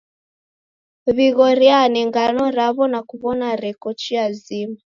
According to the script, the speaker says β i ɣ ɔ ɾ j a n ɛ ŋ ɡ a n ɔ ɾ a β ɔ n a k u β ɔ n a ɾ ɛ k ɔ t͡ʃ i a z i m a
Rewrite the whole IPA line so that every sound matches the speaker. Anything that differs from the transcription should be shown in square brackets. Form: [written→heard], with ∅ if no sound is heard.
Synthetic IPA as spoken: β i ɣ ɔ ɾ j a n ɛ ŋ ɡ a n ɔ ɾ a β ɔ n a k u β ɔ n a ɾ ɛ k ɔ t͡ʃ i a z i m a